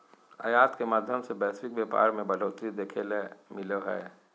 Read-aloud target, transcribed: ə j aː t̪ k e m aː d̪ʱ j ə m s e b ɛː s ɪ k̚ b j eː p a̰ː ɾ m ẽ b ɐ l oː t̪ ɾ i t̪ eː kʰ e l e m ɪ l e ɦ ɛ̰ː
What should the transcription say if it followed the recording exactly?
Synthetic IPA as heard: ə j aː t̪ k e m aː d̪ʱ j ə m s e b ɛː s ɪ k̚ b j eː p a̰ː ɾ m ẽ b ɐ l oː t̪ ɾ i d̪ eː kʰ e l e m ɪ l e ɦ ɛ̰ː